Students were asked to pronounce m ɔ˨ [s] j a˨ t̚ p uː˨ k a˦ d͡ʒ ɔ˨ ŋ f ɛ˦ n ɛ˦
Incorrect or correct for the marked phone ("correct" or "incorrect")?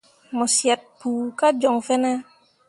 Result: correct